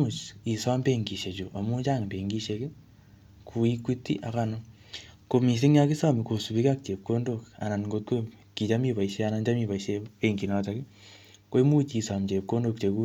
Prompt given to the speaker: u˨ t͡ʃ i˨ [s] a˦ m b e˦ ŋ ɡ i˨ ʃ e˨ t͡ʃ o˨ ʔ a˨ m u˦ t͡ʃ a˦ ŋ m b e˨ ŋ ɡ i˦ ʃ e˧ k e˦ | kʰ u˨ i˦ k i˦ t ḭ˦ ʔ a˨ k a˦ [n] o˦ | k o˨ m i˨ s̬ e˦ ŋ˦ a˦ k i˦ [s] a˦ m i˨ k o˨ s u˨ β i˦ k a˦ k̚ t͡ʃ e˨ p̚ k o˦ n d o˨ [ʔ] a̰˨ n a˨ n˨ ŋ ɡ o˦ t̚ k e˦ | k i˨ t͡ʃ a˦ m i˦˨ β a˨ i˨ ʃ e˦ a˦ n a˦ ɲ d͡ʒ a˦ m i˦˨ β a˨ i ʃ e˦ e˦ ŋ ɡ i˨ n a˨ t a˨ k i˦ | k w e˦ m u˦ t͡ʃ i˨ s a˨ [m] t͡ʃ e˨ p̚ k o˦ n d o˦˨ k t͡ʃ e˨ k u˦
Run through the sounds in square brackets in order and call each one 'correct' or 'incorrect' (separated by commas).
correct, correct, correct, incorrect, correct